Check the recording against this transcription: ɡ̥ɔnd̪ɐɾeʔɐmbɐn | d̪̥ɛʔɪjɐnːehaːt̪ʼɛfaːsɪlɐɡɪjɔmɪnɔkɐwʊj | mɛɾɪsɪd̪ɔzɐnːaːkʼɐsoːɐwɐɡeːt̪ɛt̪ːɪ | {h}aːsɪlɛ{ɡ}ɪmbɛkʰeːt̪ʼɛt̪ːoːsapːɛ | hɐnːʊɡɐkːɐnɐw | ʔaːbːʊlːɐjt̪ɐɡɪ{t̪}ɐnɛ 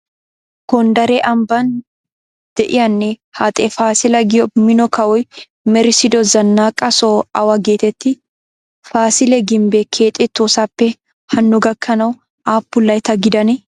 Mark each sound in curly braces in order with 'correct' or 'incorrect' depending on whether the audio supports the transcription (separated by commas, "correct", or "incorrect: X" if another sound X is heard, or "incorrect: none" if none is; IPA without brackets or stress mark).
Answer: incorrect: f, correct, incorrect: d̪